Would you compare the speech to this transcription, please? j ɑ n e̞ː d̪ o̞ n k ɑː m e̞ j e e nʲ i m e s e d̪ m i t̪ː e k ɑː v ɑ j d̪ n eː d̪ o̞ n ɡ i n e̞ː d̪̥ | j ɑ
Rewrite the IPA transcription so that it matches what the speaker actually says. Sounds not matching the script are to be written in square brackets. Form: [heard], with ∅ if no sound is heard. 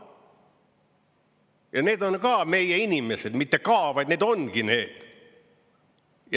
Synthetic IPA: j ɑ n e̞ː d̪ o̞ n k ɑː m e̞ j e [i] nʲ i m e s e d̪ m i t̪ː e k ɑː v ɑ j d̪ n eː d̪ o̞ n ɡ i n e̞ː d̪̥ | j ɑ